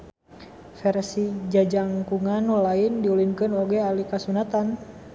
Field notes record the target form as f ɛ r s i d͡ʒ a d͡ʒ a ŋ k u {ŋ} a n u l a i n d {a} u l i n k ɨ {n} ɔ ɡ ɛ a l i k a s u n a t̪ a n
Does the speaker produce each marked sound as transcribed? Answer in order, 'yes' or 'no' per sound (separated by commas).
yes, no, yes